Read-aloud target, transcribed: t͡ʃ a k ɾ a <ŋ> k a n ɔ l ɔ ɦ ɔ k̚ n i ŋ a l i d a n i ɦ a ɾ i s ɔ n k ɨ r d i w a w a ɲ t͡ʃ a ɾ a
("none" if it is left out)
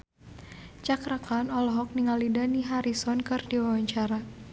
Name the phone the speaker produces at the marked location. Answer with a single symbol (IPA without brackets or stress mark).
none